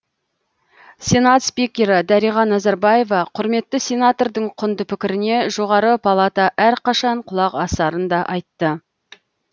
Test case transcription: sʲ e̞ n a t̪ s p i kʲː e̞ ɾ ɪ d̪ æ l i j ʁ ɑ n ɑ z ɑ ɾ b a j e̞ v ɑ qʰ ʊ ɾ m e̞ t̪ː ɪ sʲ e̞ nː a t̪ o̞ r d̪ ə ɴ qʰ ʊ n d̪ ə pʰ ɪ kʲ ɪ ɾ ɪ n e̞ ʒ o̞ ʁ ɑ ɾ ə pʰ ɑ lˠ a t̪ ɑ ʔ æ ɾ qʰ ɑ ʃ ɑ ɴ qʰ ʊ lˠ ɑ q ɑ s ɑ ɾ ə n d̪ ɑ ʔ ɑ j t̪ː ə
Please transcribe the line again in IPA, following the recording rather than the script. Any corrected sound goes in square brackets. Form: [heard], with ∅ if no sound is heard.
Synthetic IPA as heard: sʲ e̞ n a t̪ s p i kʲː e̞ ɾ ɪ d̪ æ [ɾ] i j ʁ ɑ n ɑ z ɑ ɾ b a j e̞ v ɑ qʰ ʊ ɾ m e̞ t̪ː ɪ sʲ e̞ [n] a t̪ o̞ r d̪ ə ɴ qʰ ʊ n d̪ ə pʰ ɪ kʲ ɪ ɾ ɪ n e̞ ʒ o̞ ʁ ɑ ɾ ə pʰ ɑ lˠ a t̪ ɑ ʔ æ ɾ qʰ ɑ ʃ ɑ ɴ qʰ ʊ lˠ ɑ q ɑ s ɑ ɾ ə n d̪ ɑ ʔ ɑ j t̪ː ə

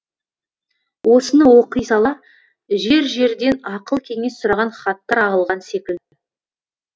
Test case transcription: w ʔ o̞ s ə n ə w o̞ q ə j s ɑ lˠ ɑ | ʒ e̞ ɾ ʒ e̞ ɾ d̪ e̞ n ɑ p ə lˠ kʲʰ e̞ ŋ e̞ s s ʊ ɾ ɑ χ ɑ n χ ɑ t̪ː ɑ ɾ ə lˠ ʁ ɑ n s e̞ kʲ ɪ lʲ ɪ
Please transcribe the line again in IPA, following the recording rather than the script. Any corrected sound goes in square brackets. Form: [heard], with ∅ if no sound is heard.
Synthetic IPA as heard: w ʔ o̞ s ə n ə w o̞ q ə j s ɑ lˠ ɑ | ʒ e̞ ɾ ʒ e̞ ɾ d̪ e̞ n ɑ [q] ə lˠ kʲʰ e̞ ŋ e̞ s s ʊ ɾ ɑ [ʁ] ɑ n χ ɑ t̪ː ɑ ɾ [ɑ] lˠ ʁ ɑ n s e̞ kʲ ɪ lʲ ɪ

